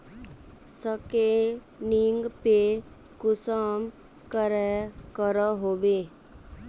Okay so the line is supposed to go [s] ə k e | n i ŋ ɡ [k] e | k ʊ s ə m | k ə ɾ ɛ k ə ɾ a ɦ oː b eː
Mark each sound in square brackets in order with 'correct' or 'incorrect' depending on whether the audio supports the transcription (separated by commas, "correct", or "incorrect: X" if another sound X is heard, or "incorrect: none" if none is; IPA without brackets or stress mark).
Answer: correct, incorrect: p